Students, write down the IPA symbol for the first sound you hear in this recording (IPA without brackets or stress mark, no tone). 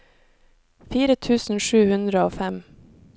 f